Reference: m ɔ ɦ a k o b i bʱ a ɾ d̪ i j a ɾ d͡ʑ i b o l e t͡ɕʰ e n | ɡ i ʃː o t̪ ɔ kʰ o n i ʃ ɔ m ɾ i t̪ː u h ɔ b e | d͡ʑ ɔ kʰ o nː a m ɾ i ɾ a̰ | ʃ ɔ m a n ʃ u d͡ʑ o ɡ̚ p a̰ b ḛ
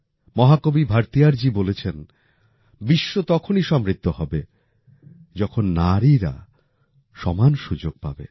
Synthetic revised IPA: m ɔ ɦ a k o b i bʱ a ɾ t̪ i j a ɾ d͡ʑ i b o l e t͡ɕʰ e n | b i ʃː o t̪ ɔ kʰ o n i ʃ ɔ m ɾ i t̪ː o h ɔ b e | d͡ʑ ɔ kʰ o nː a ɾ i ɾ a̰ | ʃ ɔ m a n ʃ u d͡ʑ o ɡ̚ p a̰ b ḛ